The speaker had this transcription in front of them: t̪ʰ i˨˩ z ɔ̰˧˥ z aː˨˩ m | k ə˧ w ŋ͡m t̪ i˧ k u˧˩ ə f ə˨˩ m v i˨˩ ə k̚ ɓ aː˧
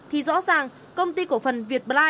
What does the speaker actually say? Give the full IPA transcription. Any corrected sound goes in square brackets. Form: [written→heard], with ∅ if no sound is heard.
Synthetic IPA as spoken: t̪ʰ i˨˩ z ɔ̰˧˥ z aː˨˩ [m→ŋ] | k ə˧ w ŋ͡m t̪ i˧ k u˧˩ ə f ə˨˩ [m→n] v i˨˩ ə [k̚→t̚] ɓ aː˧

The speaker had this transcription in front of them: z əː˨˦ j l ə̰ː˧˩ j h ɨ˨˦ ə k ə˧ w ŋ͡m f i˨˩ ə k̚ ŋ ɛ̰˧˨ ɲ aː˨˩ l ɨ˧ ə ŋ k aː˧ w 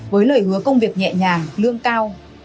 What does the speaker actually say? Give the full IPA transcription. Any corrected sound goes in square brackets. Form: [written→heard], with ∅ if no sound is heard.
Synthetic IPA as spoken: [z→v] əː˨˦ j l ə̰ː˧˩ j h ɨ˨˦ ə k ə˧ w ŋ͡m [f→v] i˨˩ ə k̚ [ŋ→ɲ] ɛ̰˧˨ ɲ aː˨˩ l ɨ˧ ə ŋ k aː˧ w

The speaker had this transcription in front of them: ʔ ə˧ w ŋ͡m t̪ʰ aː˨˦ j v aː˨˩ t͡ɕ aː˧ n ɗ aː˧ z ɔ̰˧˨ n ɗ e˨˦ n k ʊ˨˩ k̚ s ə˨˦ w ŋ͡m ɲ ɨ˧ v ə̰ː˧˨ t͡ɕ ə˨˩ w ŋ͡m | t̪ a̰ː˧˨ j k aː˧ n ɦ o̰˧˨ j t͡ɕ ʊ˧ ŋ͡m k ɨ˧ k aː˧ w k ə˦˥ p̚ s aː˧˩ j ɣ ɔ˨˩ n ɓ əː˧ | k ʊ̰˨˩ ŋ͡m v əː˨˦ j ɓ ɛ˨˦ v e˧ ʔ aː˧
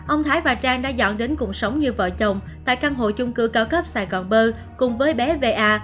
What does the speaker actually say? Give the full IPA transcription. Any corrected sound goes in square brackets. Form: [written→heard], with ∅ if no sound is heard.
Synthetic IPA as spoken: ʔ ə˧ w ŋ͡m t̪ʰ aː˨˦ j v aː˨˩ t͡ɕ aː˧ [n→ŋ] ɗ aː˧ z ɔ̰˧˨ n ɗ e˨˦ n k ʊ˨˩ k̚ s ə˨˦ w ŋ͡m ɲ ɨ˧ v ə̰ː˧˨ t͡ɕ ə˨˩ w ŋ͡m | t̪ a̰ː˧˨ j k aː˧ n ɦ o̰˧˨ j t͡ɕ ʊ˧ ŋ͡m k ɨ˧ k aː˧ w k ə˦˥ p̚ s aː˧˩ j ɣ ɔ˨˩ n ɓ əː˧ | k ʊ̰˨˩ ŋ͡m v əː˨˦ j ɓ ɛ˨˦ v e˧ ʔ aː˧

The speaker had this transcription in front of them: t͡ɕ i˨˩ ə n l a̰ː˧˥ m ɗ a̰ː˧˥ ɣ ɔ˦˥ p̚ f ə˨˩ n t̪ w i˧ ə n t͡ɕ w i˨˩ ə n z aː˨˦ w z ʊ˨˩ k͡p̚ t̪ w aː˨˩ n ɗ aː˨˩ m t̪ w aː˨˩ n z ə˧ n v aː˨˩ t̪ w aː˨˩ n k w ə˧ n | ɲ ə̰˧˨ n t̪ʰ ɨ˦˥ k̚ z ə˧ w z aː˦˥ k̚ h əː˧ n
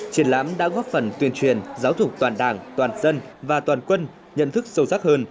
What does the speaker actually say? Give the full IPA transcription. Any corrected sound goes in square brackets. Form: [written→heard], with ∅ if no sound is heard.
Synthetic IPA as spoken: t͡ɕ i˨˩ ə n l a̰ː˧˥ m ɗ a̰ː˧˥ ɣ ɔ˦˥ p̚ f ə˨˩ n t̪ w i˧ ə n t͡ɕ w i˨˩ ə n z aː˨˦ w z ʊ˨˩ k͡p̚ t̪ w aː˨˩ n ɗ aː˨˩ [m→ŋ] t̪ w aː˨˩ n z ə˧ n v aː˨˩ t̪ w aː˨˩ n k w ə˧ n | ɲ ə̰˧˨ n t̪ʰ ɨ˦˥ k̚ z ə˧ w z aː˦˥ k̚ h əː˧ n

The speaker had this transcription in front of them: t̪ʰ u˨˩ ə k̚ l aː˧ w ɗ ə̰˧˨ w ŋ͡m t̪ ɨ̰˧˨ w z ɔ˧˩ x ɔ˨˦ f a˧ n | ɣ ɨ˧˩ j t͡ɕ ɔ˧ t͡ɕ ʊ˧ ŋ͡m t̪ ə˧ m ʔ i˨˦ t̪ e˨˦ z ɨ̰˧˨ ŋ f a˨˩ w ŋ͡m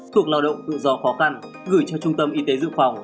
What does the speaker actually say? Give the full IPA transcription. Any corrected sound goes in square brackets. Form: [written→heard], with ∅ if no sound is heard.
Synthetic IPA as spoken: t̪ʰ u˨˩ ə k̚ l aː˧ w ɗ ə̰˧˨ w ŋ͡m t̪ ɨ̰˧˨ [w→∅] z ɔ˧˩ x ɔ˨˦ [f→x] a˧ n | ɣ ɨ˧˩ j t͡ɕ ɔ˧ t͡ɕ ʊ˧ ŋ͡m t̪ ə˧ m ʔ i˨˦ t̪ e˨˦ z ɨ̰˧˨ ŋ f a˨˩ w ŋ͡m

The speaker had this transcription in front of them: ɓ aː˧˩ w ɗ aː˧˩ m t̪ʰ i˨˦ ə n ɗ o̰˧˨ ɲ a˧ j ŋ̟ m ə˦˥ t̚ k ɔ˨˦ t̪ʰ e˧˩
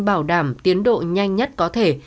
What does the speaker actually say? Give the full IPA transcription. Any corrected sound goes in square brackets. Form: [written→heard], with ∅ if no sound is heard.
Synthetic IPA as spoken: ɓ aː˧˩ w ɗ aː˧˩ m [t̪ʰ→t̪] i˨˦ ə n ɗ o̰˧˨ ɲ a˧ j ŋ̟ [m→ɲ] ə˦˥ t̚ k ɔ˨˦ t̪ʰ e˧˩

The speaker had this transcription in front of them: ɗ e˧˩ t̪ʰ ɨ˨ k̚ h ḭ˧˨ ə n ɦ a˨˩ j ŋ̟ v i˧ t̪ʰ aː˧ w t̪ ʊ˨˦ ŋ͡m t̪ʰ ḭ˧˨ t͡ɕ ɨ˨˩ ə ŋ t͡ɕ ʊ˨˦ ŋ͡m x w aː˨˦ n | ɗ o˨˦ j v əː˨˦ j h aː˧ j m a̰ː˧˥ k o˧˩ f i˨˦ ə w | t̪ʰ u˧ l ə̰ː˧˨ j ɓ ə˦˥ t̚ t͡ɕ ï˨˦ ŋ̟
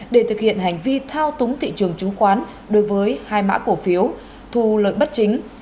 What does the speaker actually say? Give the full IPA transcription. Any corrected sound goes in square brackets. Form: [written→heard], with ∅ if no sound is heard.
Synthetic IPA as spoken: ɗ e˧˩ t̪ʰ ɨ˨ k̚ h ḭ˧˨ ə n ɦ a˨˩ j ŋ̟ v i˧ t̪ʰ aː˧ w t̪ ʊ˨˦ ŋ͡m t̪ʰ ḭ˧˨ t͡ɕ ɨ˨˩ ə ŋ t͡ɕ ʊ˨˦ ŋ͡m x w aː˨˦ n | ɗ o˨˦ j v əː˨˦ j h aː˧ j m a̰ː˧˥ k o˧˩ f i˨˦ ə w | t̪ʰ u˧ l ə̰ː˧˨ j ɓ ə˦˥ t̚ t͡ɕ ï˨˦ ŋ̟

